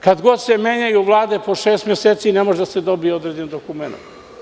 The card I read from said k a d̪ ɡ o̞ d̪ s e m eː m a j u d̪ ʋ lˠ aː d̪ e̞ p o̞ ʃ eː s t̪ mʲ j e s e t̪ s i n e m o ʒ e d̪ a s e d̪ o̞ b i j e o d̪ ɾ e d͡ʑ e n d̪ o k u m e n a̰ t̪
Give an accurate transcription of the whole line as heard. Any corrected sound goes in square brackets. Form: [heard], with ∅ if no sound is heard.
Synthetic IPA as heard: k a d̪ ɡ o̞ d̪ s e m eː [ɲ] a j u [∅] ʋ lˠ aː d̪ e̞ p o̞ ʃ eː s t̪ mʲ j e s e t̪ s i n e m o ʒ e d̪ a s e d̪ o̞ b i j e o d̪ ɾ e d͡ʑ e n d̪ o k u m e n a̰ t̪